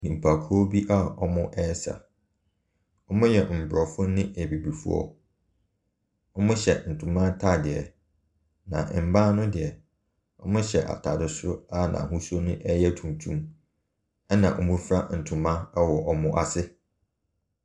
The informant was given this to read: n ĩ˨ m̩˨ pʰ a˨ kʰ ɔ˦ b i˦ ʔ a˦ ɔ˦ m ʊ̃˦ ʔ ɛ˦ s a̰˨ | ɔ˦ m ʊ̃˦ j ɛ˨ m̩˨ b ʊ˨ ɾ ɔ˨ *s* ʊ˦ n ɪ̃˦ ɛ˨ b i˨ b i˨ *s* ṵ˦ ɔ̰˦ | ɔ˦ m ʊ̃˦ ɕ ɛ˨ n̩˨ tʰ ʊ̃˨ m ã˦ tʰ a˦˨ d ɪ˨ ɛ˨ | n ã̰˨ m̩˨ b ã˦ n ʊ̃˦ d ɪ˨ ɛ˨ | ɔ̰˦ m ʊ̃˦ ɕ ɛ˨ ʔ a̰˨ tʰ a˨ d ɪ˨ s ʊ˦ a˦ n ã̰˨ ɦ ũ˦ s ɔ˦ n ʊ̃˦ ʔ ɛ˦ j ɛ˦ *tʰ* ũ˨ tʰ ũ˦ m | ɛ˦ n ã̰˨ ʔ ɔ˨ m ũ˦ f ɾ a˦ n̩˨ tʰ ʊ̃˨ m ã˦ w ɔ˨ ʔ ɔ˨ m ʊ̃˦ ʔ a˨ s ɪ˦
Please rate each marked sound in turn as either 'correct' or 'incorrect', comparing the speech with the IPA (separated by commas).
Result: incorrect, incorrect, correct